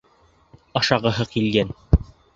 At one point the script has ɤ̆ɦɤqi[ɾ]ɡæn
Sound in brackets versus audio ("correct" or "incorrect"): incorrect